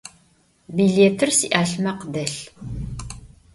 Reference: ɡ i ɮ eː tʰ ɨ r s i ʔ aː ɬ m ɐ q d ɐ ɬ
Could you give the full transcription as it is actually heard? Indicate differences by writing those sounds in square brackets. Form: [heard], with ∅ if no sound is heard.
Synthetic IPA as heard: [b] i ɮ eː tʰ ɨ r s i ʔ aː ɬ m ɐ q d ɐ ɬ